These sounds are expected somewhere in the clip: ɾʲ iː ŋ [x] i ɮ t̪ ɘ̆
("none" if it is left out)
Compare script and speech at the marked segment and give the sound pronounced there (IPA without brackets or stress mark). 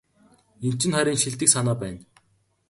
ʃ